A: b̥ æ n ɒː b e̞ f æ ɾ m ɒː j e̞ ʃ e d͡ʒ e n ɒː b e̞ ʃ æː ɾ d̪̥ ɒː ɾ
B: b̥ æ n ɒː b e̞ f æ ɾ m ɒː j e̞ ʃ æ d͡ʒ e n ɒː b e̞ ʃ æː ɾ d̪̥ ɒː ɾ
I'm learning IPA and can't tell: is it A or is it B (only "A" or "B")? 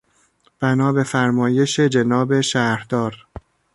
A